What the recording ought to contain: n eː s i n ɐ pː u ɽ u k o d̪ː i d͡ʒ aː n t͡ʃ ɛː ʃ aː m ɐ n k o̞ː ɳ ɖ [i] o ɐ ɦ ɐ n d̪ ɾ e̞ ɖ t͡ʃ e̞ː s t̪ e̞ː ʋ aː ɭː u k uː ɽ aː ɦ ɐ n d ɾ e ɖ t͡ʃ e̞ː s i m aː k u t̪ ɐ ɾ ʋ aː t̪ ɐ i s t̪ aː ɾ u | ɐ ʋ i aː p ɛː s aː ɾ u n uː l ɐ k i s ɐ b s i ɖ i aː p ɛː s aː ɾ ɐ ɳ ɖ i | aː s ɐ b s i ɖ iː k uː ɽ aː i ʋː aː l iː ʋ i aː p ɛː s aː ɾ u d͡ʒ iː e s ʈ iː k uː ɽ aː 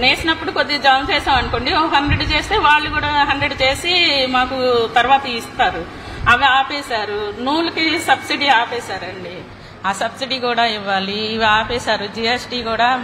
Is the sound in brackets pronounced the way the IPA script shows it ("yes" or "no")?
yes